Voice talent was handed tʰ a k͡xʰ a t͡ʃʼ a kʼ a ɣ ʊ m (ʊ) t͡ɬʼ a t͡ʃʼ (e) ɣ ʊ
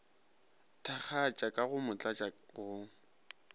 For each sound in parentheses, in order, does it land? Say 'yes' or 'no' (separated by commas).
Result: yes, no